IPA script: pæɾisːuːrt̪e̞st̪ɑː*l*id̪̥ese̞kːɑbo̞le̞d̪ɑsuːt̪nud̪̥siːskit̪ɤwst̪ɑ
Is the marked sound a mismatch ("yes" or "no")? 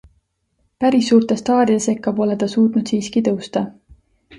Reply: yes